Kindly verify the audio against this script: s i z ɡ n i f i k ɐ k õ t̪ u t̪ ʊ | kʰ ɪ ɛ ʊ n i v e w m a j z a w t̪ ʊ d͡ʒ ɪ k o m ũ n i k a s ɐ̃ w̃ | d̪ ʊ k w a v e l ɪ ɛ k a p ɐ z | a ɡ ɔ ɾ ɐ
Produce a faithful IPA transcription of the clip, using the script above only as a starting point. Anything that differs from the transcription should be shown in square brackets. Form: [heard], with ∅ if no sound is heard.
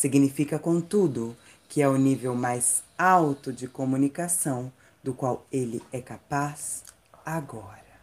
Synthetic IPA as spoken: s i [∅] ɡ n i f i k ɐ k õ t̪ u [d̪] ʊ | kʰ ɪ ɛ ʊ n i v e w m a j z a w t̪ ʊ d͡ʒ ɪ k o m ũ n i k a s ɐ̃ w̃ | d̪ ʊ k w a [w] e l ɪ ɛ k a p [a] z | a ɡ ɔ ɾ ɐ